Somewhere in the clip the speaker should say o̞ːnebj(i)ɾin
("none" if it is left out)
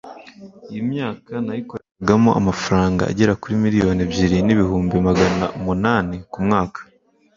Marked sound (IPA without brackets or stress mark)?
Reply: i